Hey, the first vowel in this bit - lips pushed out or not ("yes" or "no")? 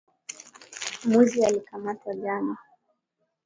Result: yes